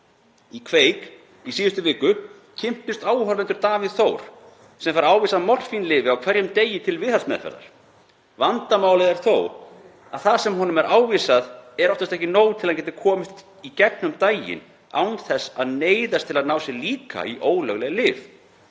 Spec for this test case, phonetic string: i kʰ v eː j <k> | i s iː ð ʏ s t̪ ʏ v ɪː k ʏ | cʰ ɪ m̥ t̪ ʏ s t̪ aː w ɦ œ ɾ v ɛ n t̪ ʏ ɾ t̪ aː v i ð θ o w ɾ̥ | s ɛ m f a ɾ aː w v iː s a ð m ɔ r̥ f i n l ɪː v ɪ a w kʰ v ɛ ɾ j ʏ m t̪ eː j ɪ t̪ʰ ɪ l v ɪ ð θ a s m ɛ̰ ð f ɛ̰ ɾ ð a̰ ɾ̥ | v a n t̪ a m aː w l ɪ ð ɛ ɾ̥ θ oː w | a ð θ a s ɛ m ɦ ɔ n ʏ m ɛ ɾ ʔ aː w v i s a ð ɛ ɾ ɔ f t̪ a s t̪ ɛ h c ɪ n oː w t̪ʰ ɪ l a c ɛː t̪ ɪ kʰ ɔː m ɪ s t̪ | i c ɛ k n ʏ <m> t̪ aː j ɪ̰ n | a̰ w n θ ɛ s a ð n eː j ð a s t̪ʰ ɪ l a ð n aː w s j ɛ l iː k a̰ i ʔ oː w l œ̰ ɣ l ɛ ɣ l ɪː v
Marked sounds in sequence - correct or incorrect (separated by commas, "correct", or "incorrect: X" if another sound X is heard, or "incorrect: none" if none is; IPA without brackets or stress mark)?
correct, correct